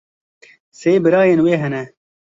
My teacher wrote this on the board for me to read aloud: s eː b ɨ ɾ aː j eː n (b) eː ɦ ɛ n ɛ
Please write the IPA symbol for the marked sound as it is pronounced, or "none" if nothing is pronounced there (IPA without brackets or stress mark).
w